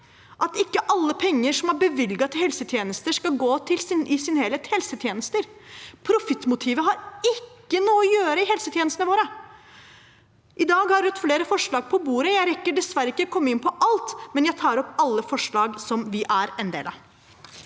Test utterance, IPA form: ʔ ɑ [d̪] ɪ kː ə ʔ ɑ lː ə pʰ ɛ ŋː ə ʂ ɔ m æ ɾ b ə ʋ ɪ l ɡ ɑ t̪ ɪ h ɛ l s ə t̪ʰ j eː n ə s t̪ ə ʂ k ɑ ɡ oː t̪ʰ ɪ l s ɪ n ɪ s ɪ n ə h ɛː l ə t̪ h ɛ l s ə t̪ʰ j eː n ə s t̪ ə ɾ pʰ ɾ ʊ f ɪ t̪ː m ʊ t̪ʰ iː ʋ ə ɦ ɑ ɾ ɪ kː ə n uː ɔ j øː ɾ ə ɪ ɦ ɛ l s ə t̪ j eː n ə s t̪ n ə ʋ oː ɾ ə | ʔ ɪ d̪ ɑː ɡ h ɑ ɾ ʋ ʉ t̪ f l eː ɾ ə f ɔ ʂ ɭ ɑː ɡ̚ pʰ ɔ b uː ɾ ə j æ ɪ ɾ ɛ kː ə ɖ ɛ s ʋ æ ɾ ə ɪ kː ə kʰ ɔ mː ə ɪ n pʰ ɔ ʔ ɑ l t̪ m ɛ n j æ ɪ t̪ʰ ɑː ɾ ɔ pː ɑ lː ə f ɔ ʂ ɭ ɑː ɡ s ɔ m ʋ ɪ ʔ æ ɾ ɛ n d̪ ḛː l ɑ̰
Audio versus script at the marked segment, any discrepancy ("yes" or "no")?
yes